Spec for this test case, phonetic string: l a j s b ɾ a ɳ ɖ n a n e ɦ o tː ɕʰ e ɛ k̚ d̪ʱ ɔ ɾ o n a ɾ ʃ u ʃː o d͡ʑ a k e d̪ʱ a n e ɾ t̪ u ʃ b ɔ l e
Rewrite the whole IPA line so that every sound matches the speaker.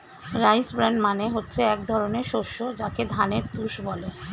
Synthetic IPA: ɾ a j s b ɾ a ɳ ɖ m a n e ɦ o tː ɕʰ e ɛ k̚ d̪ʱ ɔ ɾ o n e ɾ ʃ o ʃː o d͡ʑ a k e d̪ʱ a n e ɾ t̪ u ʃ b ɔ l e